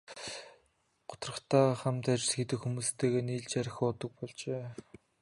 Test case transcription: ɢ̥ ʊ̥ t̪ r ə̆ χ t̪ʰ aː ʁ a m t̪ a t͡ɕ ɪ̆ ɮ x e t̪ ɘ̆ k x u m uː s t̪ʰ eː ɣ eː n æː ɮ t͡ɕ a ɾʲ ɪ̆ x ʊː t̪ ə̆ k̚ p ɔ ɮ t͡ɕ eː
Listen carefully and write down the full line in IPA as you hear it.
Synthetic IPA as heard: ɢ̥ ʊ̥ t̪ r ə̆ χ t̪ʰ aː χ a m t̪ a t͡ɕ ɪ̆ ɮ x e t̪ ɘ̆ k x u m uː s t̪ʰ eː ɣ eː n iː ɮ t͡ɕ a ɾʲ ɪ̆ x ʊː t̪ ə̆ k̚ p ɔ ɮ t͡ɕ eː

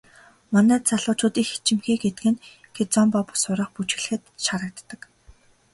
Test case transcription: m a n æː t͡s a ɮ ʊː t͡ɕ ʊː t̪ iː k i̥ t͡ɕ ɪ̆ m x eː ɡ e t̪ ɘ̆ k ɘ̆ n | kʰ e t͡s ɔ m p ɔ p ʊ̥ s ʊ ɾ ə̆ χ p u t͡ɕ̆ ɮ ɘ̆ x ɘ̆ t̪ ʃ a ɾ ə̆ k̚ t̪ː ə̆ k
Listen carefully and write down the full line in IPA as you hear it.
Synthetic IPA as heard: m a n æː t͡s a ɮ ʊː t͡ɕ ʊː t̪ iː x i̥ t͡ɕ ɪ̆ m x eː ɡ e t̪ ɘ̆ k ɘ̆ n | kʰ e t͡s ɔ m p ɔ p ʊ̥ s ʊ ɾ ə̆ χ p u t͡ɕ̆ ɮ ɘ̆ x ɘ̆ t̪ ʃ a ɾ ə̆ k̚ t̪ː ə̆ k

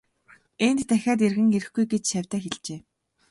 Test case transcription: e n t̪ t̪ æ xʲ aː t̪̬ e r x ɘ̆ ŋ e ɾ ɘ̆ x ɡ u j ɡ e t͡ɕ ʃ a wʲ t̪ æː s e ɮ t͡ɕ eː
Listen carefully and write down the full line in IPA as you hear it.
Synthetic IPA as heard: e n t̪ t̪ æ xʲ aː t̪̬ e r ɣ ɘ̆ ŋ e ɾ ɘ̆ x ɡ u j ɡ e t͡ɕ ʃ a wʲ t̪ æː x e ɮ t͡ɕ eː

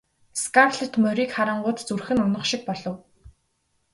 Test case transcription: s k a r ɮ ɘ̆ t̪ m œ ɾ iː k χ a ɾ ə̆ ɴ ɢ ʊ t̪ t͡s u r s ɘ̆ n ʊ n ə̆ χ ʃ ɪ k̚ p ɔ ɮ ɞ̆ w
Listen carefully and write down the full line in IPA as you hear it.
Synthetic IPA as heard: s k a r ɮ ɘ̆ t̪ m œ ɾ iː k χ a ɾ ə̆ ɴ ɢ ʊː t̪ t͡s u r x ɘ̆ n ʊ n ə̆ χ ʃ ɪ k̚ p ɔ ɮ ɞ̆ w

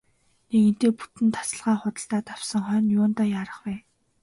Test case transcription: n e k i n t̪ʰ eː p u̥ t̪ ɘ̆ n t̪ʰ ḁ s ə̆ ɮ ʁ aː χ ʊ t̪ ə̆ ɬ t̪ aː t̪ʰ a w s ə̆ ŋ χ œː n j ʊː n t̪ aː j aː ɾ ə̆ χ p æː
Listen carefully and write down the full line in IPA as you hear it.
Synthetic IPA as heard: n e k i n t̪ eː p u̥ t̪ ɘ̆ n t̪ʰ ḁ s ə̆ ɮ ʁ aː χ ʊ t̪ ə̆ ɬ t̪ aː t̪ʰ a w s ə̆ ŋ χ œː n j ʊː n t̪ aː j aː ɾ ə̆ χ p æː

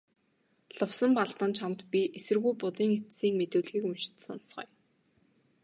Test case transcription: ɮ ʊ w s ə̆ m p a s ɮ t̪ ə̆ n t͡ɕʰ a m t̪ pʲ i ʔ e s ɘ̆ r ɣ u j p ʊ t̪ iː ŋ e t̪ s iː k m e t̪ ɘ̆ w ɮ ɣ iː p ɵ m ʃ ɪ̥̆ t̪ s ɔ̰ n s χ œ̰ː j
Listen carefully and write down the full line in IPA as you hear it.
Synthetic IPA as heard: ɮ ʊ w s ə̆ m p a ɮ t̪ ə̆ n t͡ɕʰ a m t̪ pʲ i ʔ e s ɘ̆ r ɣ u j p ʊ t̪ iː ŋ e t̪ s iː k m e t̪ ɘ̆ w ɮ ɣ iː k ɵ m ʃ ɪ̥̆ t̪ s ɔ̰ n s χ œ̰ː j

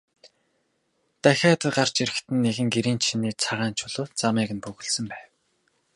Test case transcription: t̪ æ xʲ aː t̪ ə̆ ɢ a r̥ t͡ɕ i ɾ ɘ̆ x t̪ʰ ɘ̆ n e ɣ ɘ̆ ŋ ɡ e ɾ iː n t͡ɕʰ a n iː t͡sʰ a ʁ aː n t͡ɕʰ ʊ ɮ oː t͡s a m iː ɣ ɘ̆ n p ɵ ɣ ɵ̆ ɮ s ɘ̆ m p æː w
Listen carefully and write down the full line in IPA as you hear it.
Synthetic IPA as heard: t̪ æ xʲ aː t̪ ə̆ ɢ a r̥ t͡ɕ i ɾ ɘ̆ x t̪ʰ ɘ̆ nː e ɣ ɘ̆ ŋ ɡ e ɾ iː n t͡ɕʰ i n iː t͡sʰ a ʁ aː n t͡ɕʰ ʊ ɮ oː t͡s a m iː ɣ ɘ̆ n p ɵ ɣ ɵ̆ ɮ s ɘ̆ m p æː w

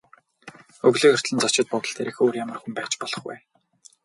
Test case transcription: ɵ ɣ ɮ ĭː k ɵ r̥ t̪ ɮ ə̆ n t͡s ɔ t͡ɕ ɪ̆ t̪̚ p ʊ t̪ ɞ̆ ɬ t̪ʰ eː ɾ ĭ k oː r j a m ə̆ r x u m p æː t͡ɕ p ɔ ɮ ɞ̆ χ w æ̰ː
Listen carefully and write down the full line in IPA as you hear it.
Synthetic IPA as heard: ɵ ɣ ɮ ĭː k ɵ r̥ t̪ ɮ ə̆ n t͡s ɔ t͡ɕ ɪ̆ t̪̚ p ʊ t̪ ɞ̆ ɬ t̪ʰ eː ɾ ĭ x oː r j a m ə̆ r x u m p æː t͡ɕ p ɔ ɮ ɞ̆ χ w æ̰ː

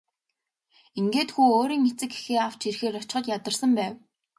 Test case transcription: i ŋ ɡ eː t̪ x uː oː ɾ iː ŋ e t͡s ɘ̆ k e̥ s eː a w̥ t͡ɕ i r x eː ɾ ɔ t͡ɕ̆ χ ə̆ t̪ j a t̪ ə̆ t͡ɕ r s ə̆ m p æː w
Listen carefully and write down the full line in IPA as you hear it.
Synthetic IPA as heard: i ŋ ɡ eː t̪ x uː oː ɾ iː ŋ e t͡s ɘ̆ k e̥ x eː a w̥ t͡ɕ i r x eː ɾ ɔ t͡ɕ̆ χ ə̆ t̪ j a t̪ ə̆ r s ə̆ m p æː w

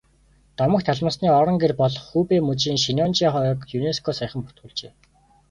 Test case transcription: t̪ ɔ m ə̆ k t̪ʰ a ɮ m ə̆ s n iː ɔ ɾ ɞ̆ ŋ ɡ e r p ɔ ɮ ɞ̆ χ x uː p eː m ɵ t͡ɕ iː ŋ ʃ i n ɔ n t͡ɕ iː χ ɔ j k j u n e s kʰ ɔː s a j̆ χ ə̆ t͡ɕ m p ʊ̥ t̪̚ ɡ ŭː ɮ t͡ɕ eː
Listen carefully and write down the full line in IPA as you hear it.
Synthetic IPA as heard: t̪ ɔ m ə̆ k t̪ʰ a ɮ m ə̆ s n iː ɔ ɾ ɞ̆ ŋ ɡ e r p ɔ ɮ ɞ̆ χ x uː p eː m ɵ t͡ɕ iː ŋ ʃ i n ɔ n t͡ɕ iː χ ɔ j k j u n e s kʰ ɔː s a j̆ χ ə̆ m p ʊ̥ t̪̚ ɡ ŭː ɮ t͡ɕ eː

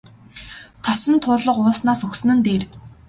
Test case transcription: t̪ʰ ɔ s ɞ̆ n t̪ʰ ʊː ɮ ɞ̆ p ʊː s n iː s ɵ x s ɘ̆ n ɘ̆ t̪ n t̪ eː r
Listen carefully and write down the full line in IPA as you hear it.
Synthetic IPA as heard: t̪ʰ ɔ s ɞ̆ n t̪ʰ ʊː ɮ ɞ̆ q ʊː s n aː s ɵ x s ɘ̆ n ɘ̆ n t̪ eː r

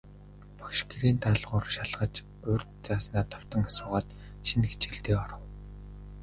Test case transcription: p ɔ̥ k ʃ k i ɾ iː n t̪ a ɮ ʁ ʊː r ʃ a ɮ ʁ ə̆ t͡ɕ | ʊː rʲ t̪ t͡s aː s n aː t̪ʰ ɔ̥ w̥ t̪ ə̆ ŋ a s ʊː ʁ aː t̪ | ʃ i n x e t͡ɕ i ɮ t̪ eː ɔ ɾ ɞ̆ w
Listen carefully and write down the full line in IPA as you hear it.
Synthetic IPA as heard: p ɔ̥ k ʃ k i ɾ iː n t̪ a ɮ ʁ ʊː r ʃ a ɮ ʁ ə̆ t͡ɕ | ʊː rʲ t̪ t͡s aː s n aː t̪ʰ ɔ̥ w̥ t̪ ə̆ ŋ a s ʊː ʁ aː t̪ | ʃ i n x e t͡ɕ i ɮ t̪ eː ɔ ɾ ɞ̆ w

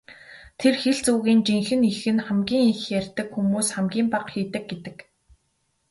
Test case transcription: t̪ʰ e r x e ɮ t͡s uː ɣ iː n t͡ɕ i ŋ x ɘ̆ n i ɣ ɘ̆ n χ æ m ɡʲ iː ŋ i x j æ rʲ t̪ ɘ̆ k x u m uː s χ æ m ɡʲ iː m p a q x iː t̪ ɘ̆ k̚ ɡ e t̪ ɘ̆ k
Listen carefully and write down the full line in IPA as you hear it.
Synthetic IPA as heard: t̪ʰ e r x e ɮ t͡s uː ɣ iː n t͡ɕ i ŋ x ɘ̆ n i x ɘ̆ n χ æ m ɡʲ iː ŋ i x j æ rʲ t̪ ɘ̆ k x u m uː s χ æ m ɡʲ iː m p a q x iː t̪ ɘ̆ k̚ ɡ e t̪ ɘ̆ k

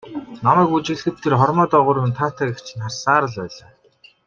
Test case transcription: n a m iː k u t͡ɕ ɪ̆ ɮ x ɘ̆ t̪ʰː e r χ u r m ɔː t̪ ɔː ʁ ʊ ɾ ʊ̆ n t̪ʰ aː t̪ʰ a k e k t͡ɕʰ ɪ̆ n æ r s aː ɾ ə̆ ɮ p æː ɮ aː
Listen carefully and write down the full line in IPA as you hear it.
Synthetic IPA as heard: n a m æː k u t͡ɕ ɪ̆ ɮ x ɘ̆ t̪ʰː e r χ ɔ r m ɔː t̪ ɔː ʁ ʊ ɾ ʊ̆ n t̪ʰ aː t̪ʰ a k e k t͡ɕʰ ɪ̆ n a r s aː ɾ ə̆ ɮ p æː ɮ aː

